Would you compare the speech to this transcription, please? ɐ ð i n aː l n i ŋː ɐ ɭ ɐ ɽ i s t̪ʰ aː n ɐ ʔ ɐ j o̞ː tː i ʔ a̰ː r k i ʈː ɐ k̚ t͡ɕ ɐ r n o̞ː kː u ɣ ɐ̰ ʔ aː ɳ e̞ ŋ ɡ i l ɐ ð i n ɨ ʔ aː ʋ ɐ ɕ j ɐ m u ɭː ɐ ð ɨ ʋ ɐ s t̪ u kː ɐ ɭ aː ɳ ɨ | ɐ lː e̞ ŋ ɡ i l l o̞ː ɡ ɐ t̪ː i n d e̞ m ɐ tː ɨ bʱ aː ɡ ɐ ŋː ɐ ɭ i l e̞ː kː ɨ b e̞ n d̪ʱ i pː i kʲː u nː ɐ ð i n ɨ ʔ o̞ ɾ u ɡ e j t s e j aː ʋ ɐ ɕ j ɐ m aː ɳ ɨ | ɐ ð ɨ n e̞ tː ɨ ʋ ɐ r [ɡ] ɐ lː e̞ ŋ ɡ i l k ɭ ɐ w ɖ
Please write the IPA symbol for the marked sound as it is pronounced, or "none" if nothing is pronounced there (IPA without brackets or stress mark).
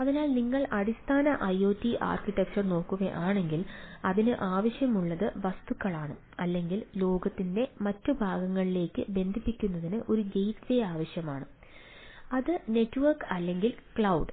k